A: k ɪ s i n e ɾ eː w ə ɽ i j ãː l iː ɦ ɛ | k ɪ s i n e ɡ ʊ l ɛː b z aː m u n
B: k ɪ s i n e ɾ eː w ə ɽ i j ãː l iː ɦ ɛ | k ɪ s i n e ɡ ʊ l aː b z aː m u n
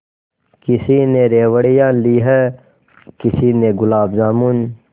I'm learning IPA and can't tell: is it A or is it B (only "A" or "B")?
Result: B